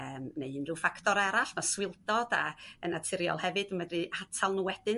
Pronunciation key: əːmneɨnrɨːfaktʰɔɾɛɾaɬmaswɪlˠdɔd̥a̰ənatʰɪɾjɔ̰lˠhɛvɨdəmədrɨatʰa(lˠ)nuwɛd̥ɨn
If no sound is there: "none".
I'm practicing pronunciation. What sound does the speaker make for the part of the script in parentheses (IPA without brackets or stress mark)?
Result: lˠ